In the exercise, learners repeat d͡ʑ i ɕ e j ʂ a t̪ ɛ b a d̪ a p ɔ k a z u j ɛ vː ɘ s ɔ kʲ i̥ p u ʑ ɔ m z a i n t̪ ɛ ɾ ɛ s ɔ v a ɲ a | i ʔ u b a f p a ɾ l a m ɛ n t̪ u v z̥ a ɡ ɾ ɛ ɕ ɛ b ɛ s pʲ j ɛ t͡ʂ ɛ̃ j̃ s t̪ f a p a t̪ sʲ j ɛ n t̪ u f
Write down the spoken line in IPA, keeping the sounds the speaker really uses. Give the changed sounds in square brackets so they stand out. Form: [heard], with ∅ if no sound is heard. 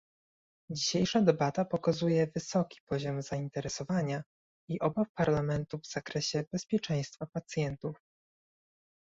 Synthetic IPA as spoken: d͡ʑ i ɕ e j ʂ a [d̪] ɛ b a [t̪] a p ɔ k a z u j ɛ [v] ɘ s ɔ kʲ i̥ p [ɔ] ʑ ɔ m z a i n t̪ ɛ ɾ ɛ s ɔ v a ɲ a | i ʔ [ɔ] b a f p a ɾ l a m ɛ n t̪ u v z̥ a [k] ɾ ɛ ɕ ɛ b ɛ s pʲ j ɛ t͡ʂ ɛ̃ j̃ s t̪ f a p a t̪ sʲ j ɛ n t̪ u f